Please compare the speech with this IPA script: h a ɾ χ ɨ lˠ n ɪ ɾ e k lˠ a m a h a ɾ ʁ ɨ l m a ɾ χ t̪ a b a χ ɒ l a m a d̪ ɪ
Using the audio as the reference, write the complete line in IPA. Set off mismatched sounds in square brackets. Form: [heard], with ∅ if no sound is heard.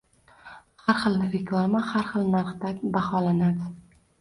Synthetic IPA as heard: h a ɾ χ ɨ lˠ n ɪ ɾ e k lˠ a m a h a ɾ [χ] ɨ l [n] a ɾ χ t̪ a b a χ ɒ l a [n] a d̪ ɪ